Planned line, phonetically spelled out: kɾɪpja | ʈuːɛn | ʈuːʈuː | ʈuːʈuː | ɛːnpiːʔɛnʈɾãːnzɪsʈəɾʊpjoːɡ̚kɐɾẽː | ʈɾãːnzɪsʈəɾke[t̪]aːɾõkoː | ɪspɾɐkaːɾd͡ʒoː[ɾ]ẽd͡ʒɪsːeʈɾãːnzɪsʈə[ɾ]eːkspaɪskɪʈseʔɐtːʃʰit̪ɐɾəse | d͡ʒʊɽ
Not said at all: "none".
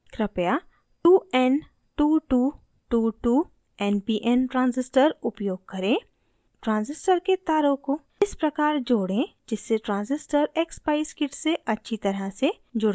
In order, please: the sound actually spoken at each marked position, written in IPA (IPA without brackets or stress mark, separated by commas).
t̪, ɽ, ɾ